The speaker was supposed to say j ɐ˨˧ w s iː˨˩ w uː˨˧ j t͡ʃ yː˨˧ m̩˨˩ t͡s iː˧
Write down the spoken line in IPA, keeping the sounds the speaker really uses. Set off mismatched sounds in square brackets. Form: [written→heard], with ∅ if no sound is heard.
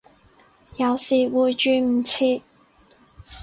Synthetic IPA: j ɐ˨˧ w s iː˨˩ w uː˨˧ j t͡ʃ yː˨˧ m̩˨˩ [t͡s→t͡sʰ] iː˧